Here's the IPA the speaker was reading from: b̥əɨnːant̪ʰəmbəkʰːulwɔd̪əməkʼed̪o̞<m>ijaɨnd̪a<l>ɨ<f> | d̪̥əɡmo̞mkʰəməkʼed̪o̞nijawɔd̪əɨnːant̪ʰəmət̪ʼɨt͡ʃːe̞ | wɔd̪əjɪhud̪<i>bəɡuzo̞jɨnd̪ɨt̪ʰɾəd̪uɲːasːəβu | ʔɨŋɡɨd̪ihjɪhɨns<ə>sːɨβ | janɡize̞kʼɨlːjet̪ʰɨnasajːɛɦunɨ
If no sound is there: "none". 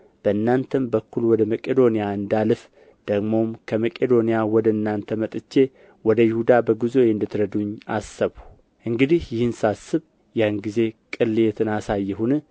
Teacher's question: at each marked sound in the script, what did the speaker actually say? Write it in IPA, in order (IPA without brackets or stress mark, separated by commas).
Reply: n, l, f, a, a